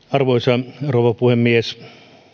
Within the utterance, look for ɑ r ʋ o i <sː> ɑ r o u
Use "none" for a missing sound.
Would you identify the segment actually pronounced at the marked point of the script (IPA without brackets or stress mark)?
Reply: s